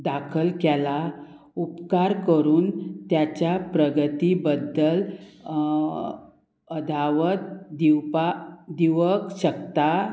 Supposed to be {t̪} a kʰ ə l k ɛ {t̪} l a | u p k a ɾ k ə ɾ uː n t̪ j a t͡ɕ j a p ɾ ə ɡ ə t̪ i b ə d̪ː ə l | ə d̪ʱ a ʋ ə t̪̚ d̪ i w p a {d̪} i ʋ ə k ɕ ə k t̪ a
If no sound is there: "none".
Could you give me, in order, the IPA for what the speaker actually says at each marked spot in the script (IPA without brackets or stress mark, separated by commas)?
d̪, none, d̪